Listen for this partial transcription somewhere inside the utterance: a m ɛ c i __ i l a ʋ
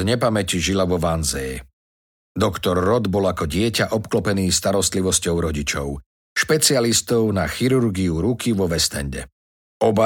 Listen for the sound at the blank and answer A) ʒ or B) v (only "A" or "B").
A